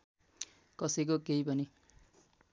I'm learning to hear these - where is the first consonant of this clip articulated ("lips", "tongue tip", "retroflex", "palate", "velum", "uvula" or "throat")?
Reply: velum